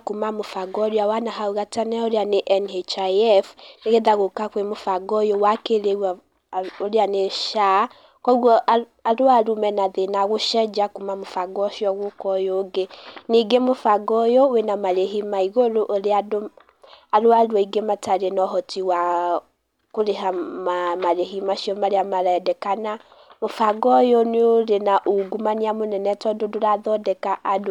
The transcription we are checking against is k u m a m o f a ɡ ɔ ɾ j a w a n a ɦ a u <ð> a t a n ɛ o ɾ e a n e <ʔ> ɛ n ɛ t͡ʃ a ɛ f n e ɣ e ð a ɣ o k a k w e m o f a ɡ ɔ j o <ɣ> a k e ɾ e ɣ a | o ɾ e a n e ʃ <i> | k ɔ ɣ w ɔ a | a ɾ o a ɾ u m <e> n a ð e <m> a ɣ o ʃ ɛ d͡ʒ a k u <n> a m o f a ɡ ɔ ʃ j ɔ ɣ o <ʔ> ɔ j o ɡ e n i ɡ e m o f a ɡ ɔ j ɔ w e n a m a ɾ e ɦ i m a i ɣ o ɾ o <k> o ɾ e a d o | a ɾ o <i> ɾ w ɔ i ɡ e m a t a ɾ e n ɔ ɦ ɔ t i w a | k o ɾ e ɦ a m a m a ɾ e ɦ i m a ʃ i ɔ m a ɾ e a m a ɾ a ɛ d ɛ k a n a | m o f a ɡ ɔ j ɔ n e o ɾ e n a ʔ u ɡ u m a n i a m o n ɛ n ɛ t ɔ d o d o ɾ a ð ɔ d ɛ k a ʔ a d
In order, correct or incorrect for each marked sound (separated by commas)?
incorrect, correct, incorrect, incorrect, incorrect, incorrect, incorrect, incorrect, incorrect, incorrect